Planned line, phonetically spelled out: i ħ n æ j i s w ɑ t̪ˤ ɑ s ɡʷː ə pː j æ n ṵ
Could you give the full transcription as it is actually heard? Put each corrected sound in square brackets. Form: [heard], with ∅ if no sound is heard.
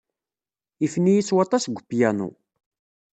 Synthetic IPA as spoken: i [f] n [i] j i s w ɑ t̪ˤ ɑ s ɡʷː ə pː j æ n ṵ